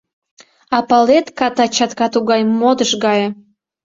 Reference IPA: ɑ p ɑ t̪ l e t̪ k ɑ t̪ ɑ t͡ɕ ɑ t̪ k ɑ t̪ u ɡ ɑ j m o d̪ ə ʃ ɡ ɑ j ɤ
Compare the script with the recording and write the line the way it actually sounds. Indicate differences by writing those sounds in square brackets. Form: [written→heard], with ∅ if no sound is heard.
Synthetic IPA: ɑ p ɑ [t̪→∅] l e t̪ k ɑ t̪ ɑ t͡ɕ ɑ t̪ k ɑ t̪ u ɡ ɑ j m o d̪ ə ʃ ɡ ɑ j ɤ

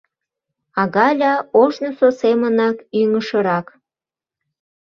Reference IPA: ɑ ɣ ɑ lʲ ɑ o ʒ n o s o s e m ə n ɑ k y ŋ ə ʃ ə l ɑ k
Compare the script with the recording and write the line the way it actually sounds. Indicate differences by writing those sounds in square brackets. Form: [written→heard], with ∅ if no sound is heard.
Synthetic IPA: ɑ ɣ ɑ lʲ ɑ o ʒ n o s o s e m ə n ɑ k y ŋ ə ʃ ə [l→ɾ] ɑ k

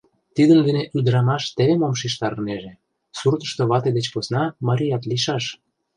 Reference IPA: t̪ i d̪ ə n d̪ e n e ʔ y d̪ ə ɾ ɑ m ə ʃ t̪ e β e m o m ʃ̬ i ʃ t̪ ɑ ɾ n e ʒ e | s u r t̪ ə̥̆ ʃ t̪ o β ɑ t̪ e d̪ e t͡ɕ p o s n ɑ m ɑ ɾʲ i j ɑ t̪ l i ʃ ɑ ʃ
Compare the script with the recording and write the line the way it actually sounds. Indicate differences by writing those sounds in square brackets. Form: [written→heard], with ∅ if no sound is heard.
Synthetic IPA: t̪ i d̪ ə n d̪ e n e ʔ y d̪ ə ɾ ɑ m [ə→ɑ] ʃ t̪ e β e m o m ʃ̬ i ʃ t̪ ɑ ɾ n e ʒ e | s u r t̪ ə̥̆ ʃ t̪ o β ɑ t̪ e d̪ e t͡ɕ p o s n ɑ m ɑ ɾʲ i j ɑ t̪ l i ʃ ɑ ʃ

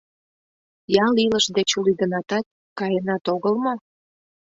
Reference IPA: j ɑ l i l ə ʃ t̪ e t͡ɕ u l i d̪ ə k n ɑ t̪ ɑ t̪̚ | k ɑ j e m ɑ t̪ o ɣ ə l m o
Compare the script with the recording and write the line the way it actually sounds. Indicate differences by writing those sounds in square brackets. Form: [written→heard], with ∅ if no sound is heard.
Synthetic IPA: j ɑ l i l ə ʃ [t̪→d̪] e t͡ɕ u l i d̪ ə [k→∅] n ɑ t̪ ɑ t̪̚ | k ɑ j e [m→n] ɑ t̪ o ɣ ə l m o

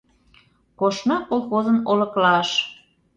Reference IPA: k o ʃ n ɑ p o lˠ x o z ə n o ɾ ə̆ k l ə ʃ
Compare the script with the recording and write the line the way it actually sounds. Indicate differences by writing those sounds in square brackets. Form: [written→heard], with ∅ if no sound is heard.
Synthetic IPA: k o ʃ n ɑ [p→k] o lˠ x o z ə n o [ɾ→l] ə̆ k l [ə→ɑ] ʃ

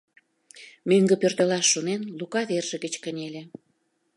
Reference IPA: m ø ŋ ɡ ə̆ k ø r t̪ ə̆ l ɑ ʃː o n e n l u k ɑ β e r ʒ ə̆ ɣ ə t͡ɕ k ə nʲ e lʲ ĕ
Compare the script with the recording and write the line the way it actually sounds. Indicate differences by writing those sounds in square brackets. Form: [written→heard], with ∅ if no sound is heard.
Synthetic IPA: m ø ŋ ɡ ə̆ [k→p] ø r t̪ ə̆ l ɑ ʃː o n e n l u k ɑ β e r ʒ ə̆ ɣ ə t͡ɕ k ə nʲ e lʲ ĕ

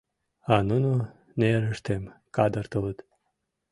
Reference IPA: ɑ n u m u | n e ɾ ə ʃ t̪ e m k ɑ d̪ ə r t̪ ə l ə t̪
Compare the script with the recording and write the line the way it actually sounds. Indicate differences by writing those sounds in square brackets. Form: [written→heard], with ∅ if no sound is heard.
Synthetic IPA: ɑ n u [m→n] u | n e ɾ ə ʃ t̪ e m k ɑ d̪ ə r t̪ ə l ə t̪

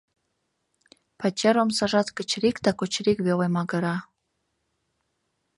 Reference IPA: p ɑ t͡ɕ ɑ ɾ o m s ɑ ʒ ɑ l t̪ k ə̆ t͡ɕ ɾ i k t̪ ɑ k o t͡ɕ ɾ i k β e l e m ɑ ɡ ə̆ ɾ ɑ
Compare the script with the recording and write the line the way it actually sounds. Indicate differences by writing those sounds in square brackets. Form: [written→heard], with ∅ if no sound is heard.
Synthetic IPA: p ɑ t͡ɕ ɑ ɾ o m s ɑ ʒ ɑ [l→∅] t̪ k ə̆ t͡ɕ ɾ i k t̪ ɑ k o t͡ɕ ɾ i k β e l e m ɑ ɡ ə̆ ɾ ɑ

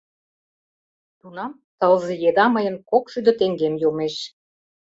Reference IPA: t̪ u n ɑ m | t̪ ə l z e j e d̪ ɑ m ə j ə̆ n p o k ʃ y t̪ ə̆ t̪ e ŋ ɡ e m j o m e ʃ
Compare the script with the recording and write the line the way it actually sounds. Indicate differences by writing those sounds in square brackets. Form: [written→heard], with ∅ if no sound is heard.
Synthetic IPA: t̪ u n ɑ m | t̪ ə l z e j e d̪ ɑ m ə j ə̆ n [p→k] o k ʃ y [t̪→d̪] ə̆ t̪ e ŋ ɡ e m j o m e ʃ

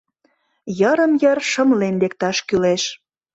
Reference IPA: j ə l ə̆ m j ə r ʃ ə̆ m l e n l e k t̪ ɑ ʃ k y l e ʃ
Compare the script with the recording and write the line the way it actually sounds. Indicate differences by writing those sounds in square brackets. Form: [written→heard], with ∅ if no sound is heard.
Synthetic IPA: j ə [l→ɾ] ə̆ m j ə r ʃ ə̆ m l e n l e k t̪ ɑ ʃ k y l e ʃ

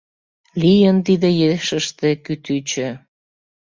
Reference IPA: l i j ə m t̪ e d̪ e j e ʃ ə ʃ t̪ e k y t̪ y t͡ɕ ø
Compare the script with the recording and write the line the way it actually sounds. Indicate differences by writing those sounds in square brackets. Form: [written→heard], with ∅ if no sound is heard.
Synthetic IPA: l i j ə [m→n] t̪ [e→i] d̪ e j e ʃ ə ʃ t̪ e k y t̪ y t͡ɕ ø

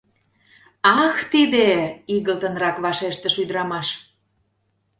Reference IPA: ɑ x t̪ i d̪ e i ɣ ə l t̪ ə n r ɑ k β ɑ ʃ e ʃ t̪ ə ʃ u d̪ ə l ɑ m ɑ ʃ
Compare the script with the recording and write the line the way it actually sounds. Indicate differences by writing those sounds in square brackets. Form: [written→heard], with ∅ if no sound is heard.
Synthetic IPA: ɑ x t̪ i d̪ e i ɣ ə l t̪ ə n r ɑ k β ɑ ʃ e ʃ t̪ ə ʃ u d̪ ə [l→ɾ] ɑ m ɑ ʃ

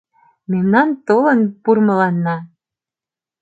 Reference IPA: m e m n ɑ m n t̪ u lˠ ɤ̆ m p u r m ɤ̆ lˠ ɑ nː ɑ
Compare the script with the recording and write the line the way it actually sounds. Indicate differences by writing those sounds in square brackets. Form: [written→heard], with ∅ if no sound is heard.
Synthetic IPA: m e m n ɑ [m→∅] n t̪ [u→o] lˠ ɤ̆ [m→n] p u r m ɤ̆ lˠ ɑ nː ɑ

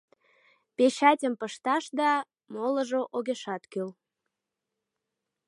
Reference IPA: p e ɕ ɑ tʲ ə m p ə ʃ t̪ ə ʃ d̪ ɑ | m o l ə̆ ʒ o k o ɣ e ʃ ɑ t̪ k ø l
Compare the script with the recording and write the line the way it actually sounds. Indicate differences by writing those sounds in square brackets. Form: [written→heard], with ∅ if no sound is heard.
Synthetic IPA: p e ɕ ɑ tʲ ə m p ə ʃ t̪ [ə→ɑ] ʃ d̪ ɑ | m o l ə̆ ʒ o [k→ʔ] o ɣ e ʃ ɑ t̪ k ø l

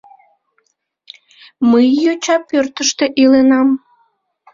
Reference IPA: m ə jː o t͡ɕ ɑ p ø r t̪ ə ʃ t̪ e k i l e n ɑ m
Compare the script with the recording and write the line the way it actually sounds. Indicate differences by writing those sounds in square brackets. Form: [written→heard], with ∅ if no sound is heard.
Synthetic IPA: m ə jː o t͡ɕ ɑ p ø r t̪ ə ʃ t̪ e [k→ʔ] i l e n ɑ m

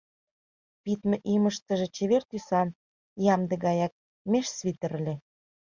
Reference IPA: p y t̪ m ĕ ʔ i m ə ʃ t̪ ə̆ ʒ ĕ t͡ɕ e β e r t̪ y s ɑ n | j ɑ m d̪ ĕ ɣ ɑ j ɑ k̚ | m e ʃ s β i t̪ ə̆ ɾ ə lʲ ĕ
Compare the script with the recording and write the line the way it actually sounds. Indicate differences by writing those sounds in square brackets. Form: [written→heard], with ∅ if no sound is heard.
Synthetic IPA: p [y→i] t̪ m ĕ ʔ i m ə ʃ t̪ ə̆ ʒ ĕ t͡ɕ e β e r t̪ y s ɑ n | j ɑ m d̪ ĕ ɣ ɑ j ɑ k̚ | m e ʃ s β i t̪ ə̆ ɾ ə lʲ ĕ

